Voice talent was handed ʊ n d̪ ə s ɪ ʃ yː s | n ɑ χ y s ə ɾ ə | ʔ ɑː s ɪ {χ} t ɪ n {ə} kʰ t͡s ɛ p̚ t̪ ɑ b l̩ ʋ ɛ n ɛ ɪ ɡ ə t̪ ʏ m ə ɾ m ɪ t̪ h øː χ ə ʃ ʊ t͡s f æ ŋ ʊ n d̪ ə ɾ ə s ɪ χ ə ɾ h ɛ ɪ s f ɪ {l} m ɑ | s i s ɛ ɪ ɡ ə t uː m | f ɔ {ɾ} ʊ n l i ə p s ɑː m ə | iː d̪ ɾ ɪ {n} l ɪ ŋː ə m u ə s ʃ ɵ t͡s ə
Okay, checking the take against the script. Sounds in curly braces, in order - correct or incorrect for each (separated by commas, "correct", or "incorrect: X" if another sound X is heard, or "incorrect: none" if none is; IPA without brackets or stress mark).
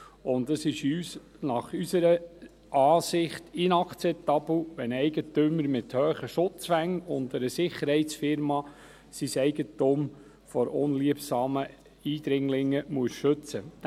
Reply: correct, incorrect: ɑ, incorrect: ɾ, correct, incorrect: ŋ